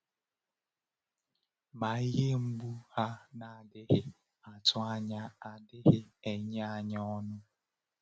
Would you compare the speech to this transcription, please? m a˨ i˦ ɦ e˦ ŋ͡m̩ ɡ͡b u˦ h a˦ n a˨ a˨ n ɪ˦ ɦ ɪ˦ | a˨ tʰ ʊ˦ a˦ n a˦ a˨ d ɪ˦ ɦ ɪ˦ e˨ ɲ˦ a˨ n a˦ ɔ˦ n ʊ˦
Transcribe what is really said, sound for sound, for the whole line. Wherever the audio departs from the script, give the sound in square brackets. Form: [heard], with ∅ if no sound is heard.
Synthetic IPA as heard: m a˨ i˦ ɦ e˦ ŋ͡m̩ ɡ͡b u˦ h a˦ n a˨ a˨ [d] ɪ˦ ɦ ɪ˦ | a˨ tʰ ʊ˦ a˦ [ɲ] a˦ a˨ d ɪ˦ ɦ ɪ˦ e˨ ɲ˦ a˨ [ɲ] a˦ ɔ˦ n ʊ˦

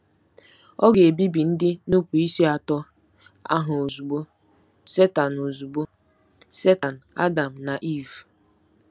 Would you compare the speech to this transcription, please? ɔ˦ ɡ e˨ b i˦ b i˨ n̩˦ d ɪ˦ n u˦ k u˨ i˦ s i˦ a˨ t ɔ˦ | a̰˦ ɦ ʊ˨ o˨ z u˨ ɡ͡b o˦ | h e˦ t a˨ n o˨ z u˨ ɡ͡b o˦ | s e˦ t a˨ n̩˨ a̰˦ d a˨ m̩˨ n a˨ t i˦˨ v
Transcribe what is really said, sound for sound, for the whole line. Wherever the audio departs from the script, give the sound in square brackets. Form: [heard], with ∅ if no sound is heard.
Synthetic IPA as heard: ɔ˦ ɡ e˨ b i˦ b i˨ n̩˦ d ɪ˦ n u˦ [p] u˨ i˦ s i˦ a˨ t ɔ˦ | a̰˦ ɦ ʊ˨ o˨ z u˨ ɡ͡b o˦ | [s] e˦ t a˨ n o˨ z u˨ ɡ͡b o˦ | s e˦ t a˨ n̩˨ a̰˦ d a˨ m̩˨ n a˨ [ʔ] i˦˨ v

